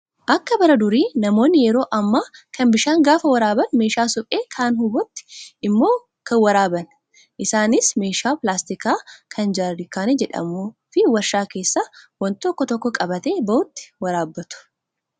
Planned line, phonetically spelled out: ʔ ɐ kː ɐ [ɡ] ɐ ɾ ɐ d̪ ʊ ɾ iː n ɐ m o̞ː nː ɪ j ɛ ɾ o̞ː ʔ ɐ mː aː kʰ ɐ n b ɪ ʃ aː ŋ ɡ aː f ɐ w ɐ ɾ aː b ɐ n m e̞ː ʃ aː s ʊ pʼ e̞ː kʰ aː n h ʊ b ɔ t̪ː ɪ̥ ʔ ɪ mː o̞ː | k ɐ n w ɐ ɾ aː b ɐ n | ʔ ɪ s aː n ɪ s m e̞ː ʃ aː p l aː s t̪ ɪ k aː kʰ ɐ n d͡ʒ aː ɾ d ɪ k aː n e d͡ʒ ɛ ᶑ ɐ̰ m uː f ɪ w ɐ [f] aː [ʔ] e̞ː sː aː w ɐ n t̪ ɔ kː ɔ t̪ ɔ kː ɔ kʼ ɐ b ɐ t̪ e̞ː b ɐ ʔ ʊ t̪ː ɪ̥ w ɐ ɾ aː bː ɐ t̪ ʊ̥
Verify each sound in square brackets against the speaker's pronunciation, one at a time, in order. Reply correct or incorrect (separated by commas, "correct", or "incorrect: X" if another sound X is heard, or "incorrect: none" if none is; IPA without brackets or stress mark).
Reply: incorrect: b, incorrect: ʃ, incorrect: k